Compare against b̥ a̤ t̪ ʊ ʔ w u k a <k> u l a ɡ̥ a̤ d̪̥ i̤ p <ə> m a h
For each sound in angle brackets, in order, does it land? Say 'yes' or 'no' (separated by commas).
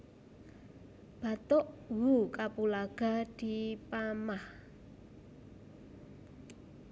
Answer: no, no